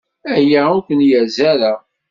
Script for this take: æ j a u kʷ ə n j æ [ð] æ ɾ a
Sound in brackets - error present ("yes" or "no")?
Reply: yes